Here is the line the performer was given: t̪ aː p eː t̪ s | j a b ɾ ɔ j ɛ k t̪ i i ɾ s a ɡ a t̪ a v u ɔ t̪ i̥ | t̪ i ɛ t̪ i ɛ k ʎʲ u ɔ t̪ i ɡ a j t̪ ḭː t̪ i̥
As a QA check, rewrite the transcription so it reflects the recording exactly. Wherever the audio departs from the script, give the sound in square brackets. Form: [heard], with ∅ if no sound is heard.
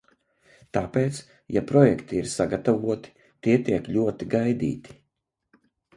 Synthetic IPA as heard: t̪ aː p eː t̪ s | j a [p] ɾ ɔ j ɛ k t̪ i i ɾ s a ɡ a t̪ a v u ɔ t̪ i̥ | t̪ i ɛ t̪ i ɛ k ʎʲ u ɔ t̪ i ɡ a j [d̪] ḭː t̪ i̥